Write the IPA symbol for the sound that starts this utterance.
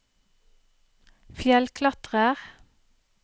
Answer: f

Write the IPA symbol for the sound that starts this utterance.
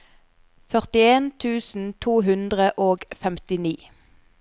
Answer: f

